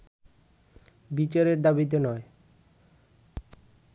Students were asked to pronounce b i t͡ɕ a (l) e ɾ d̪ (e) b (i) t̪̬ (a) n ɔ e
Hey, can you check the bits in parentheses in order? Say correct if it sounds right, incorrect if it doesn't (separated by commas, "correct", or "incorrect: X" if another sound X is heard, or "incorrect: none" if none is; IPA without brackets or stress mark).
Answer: incorrect: ɾ, incorrect: a, correct, incorrect: e